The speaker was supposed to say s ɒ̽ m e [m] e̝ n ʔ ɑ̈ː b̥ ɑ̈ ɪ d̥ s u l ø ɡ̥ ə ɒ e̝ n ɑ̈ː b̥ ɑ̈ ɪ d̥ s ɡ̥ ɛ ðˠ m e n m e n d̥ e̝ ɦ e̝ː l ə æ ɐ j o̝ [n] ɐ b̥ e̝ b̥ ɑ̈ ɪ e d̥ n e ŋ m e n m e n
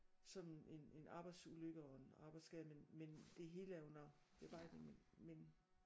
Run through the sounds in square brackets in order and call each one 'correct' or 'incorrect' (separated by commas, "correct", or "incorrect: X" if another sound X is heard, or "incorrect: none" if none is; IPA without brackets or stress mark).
incorrect: n, correct